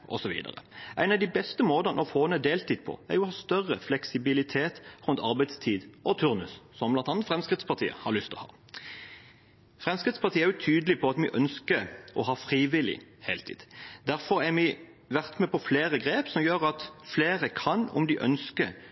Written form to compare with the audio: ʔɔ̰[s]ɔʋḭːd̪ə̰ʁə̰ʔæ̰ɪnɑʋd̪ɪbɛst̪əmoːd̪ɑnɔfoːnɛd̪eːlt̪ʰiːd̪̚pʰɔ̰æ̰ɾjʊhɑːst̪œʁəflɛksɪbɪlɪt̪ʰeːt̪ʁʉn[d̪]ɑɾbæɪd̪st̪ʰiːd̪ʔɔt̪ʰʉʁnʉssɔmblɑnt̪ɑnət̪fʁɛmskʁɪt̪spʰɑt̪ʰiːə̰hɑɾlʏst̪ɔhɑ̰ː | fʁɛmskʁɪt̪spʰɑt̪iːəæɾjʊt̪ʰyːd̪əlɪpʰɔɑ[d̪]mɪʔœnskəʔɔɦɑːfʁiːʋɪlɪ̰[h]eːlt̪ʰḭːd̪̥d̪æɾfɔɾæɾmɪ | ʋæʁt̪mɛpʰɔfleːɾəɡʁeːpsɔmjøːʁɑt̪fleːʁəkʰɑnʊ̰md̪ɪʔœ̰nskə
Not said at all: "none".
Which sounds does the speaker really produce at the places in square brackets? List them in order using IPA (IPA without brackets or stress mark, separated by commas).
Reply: s, t̪, t̪, h